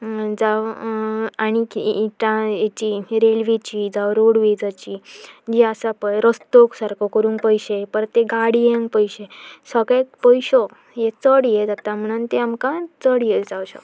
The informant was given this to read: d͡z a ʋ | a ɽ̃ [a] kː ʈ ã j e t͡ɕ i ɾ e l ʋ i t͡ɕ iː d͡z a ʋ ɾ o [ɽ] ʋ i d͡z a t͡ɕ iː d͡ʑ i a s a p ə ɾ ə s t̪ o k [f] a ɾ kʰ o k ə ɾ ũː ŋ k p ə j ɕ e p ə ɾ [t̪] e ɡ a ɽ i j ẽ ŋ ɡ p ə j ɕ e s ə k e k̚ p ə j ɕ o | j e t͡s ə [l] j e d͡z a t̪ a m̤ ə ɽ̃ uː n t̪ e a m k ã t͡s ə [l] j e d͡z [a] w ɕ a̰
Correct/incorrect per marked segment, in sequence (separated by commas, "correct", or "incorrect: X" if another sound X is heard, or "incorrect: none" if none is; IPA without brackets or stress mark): incorrect: i, correct, incorrect: s, correct, incorrect: ɽ, incorrect: ɽ, correct